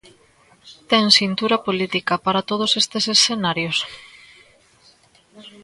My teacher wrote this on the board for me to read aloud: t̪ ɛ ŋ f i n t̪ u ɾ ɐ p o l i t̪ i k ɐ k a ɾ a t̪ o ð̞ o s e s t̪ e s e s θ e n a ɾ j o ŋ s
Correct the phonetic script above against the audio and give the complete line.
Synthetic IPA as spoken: t̪ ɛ ŋ s i n t̪ u ɾ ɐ p o l i t̪ i k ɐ p a ɾ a t̪ o ð̞ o s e s t̪ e s e s θ e n a ɾ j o s